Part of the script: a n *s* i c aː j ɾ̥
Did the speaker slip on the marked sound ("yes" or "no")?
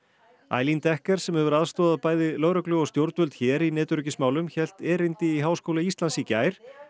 no